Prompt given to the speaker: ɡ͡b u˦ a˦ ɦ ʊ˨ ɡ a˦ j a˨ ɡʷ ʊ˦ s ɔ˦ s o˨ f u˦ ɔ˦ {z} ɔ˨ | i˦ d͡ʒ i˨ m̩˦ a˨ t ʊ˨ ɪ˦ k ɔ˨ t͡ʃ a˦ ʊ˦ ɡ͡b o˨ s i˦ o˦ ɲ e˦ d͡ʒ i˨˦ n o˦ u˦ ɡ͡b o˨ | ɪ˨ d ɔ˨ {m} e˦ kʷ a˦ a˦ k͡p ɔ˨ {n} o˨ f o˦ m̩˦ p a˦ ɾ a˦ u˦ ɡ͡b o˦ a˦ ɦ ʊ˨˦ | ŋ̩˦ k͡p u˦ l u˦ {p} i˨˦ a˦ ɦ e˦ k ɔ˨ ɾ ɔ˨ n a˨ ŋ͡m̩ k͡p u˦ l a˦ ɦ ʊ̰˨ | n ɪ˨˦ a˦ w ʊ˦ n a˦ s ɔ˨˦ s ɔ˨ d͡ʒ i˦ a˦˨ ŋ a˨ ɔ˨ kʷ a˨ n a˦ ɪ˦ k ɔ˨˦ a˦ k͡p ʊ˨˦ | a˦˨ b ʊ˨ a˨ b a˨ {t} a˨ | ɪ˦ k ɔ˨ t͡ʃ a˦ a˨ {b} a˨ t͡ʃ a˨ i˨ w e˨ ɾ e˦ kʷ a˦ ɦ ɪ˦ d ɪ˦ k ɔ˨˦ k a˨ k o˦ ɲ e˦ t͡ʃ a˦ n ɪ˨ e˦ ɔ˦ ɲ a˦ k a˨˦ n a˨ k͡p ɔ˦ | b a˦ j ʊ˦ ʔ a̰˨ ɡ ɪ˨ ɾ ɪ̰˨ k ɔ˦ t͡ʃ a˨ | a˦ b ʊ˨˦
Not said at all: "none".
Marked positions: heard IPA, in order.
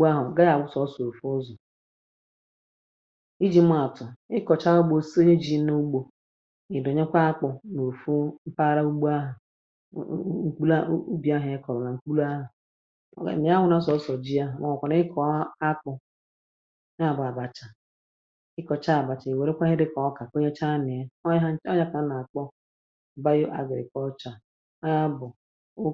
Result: z, ɲ, n, b, t͡ʃ, b

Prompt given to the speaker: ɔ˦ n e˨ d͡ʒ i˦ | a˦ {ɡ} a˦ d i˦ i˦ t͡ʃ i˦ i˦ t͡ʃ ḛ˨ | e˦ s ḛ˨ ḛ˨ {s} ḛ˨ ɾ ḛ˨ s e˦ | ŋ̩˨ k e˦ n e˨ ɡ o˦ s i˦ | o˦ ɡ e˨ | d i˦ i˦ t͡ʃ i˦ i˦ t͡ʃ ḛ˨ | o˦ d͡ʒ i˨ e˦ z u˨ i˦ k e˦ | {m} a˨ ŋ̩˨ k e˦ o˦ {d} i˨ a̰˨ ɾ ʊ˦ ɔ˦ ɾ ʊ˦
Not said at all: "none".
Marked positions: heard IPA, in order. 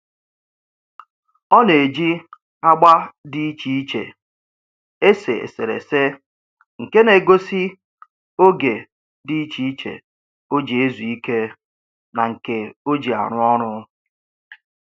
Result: ɡ͡b, s, n, d͡ʒ

